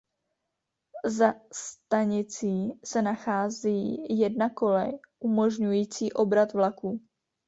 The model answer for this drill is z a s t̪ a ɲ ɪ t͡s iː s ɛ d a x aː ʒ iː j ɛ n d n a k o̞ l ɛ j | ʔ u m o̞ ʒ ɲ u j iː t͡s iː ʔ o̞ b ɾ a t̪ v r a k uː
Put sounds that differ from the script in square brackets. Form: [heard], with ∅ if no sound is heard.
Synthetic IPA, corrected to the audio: z a s t̪ a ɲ ɪ t͡s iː s ɛ [n] a x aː [z] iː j ɛ [∅] d n a k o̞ l ɛ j | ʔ u m o̞ ʒ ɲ u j iː t͡s iː ʔ o̞ b ɾ a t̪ v [l] a k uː

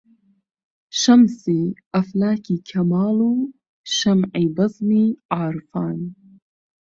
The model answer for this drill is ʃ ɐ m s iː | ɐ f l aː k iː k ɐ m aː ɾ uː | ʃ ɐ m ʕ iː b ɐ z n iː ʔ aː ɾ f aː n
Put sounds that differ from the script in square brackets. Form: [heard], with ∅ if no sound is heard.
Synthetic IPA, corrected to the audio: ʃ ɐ m s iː | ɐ f l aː k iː [kʰ] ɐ m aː [l] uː | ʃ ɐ m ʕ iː b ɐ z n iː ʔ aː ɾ f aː n

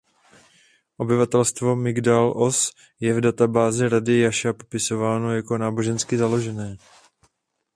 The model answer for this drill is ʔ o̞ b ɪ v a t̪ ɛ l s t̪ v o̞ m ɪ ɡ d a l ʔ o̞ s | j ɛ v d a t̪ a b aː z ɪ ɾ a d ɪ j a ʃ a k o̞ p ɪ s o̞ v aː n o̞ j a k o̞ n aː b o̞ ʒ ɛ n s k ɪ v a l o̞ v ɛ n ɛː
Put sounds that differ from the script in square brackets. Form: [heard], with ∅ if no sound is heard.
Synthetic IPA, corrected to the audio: ʔ o̞ b ɪ v a t̪ ɛ l s t̪ v o̞ m ɪ ɡ d a l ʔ o̞ s | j ɛ v d a t̪ a b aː z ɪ ɾ a d ɪ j a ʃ a [p] o̞ p ɪ s o̞ v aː n o̞ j a k o̞ n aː b o̞ ʒ ɛ n s k ɪ [z] a l o̞ [ʒ] ɛ n ɛː

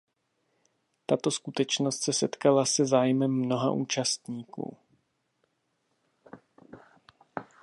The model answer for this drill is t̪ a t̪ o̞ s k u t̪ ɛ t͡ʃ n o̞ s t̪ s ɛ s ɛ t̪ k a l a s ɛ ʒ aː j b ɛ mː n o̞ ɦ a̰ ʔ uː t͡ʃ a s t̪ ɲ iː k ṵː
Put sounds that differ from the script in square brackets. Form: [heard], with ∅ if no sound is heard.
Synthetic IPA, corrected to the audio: t̪ a t̪ o̞ s k u t̪ ɛ t͡ʃ n o̞ s t̪ s ɛ s ɛ t̪ k a l a s ɛ [z] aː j [m] ɛ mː n o̞ ɦ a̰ ʔ uː t͡ʃ a s t̪ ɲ iː k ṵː

